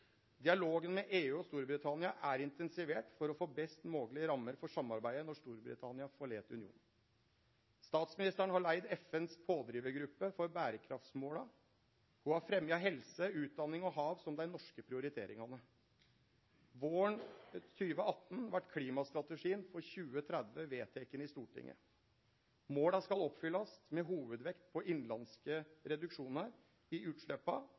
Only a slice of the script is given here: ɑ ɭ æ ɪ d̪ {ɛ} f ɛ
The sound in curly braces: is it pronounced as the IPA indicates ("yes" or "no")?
yes